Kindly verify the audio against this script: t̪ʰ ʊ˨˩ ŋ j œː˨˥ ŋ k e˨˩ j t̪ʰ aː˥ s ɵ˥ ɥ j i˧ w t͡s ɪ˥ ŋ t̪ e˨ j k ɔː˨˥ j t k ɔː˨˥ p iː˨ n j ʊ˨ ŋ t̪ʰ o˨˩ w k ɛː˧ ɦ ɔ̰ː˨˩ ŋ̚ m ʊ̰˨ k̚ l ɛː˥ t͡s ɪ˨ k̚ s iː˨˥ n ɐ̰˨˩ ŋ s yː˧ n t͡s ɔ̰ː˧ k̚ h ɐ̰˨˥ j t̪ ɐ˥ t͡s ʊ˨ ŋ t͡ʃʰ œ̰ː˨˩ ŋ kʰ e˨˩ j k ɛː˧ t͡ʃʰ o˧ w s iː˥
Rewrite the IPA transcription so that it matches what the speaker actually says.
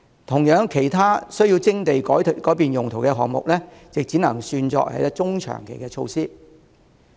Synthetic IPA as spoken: t̪ʰ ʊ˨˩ ŋ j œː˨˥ ŋ kʰ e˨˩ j t̪ʰ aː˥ s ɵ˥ ɥ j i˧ w t͡s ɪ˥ ŋ t̪ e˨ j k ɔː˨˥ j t k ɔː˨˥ p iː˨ n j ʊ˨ ŋ t̪ʰ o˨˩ w k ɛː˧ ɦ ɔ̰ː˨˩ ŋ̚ m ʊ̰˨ k̚ l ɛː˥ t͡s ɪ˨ k̚ t͡s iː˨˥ n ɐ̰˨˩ ŋ s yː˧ n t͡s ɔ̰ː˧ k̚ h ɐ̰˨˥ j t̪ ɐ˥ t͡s ʊ˥ ŋ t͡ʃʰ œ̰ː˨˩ ŋ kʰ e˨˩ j k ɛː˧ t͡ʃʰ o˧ w s iː˥

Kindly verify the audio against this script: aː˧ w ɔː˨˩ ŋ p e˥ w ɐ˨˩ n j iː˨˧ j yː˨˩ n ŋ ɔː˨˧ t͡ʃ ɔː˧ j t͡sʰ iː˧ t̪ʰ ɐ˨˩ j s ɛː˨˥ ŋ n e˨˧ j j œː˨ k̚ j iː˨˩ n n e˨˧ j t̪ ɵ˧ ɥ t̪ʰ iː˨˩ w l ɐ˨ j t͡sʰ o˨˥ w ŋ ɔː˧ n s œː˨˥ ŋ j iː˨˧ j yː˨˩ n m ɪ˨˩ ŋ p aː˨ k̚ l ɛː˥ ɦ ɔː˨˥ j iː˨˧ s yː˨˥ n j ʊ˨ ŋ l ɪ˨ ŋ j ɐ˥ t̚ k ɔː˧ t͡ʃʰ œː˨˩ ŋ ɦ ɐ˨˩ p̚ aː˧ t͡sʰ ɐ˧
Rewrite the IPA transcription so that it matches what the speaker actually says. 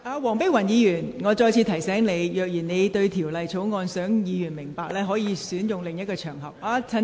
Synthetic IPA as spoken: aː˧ w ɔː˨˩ ŋ p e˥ w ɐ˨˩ n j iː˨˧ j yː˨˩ n ŋ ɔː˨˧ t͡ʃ ɔː˧ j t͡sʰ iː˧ t̪ʰ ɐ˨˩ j s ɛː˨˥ ŋ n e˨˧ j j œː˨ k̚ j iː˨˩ n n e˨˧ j t̪ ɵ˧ ɥ t̪ʰ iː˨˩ w l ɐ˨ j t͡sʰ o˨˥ w ŋ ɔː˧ n s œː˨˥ ŋ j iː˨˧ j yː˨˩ n m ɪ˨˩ ŋ p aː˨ k̚ l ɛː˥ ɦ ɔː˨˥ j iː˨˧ s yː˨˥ n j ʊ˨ ŋ l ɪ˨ ŋ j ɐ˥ t̚ k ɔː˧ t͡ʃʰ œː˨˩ ŋ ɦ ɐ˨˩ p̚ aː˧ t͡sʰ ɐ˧

